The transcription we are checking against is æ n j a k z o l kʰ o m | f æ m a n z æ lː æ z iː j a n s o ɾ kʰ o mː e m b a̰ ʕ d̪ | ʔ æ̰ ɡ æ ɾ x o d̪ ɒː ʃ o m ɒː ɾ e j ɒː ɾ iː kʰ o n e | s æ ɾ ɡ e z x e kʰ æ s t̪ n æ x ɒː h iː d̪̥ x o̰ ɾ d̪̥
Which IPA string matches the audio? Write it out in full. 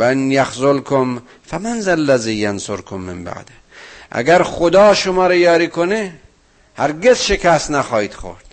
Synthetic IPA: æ n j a x z o l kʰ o m | f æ m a n z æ lː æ z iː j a n s o ɾ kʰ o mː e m b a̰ ʕ d̪ | ʔ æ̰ ɡ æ ɾ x o d̪ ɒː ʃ o m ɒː ɾ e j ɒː ɾ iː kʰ o n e | h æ ɾ ɡ e z ʃ e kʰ æ s t̪ n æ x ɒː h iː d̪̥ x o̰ ɾ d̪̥